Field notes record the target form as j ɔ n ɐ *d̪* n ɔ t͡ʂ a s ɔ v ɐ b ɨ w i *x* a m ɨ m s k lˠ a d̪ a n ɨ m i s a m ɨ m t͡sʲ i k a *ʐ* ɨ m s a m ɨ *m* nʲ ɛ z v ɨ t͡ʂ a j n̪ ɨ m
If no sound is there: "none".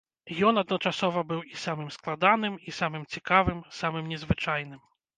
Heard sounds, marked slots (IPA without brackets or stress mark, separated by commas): d̪, s, v, m